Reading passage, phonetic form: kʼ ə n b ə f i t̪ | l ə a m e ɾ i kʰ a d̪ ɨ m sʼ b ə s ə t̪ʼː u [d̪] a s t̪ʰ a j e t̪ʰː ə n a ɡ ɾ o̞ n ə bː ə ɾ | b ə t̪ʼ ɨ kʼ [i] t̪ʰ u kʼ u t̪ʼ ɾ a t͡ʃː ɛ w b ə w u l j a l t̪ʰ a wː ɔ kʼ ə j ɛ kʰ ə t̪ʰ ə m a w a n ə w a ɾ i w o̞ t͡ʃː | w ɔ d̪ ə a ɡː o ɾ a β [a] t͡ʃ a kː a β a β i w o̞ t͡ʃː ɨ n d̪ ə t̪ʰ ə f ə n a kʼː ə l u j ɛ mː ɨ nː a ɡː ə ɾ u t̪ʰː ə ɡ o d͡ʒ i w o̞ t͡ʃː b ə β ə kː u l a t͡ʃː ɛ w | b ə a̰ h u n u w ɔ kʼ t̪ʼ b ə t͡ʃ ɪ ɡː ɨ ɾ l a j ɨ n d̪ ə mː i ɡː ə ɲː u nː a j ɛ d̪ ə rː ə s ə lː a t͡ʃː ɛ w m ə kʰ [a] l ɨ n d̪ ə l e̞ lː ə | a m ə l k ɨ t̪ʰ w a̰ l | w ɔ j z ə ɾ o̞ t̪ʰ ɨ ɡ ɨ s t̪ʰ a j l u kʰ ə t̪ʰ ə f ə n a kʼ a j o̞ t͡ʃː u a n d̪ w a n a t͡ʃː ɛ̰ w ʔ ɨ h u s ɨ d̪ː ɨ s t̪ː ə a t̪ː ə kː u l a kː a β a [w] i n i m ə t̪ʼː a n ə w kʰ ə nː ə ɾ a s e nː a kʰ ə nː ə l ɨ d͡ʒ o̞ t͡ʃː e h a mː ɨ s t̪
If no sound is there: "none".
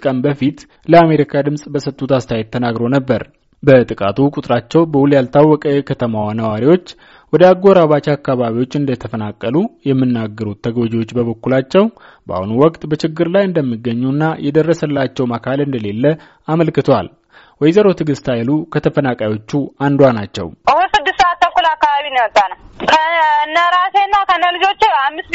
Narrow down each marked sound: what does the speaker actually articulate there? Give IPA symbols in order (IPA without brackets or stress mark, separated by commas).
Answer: t̪, a, a, a, β